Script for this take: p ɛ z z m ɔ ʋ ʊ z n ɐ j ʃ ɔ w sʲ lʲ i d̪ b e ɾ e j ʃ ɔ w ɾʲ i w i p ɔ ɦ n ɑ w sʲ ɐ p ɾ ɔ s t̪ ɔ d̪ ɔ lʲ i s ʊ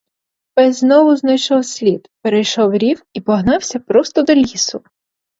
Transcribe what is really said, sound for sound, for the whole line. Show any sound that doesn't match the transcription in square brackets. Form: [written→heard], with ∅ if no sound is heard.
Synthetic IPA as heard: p ɛ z z [m→n] ɔ ʋ ʊ z n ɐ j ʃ ɔ w sʲ lʲ i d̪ [b→p] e ɾ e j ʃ ɔ w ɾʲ i w i p ɔ ɦ n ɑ w sʲ ɐ p ɾ ɔ s t̪ ɔ d̪ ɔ lʲ i s ʊ